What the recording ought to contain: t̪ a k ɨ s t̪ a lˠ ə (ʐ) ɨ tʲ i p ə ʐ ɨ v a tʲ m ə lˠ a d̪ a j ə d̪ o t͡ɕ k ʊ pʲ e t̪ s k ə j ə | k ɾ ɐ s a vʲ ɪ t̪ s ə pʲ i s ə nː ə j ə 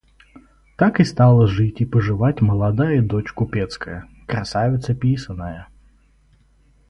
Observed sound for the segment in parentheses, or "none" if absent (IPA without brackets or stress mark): ʐ